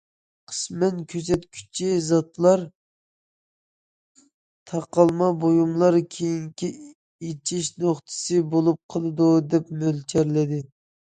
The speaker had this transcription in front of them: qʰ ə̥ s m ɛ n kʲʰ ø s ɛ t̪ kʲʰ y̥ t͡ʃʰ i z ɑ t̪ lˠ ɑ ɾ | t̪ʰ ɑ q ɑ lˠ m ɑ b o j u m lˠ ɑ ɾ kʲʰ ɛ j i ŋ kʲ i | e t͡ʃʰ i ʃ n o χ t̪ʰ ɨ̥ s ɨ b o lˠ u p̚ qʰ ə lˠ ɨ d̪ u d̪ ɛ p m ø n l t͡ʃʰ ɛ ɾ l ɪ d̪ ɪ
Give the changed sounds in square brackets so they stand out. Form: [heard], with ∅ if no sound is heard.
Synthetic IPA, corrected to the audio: qʰ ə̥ s m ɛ n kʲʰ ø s ɛ t̪ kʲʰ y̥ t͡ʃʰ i z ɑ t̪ lˠ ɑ ɾ | t̪ʰ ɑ q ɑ lˠ m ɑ b o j u m lˠ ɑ ɾ kʲʰ [e] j i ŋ kʲ i | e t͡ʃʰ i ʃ n o χ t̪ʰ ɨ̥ s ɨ b o lˠ u p̚ qʰ ə lˠ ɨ d̪ u d̪ ɛ p m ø [∅] l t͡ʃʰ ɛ ɾ l ɪ d̪ ɪ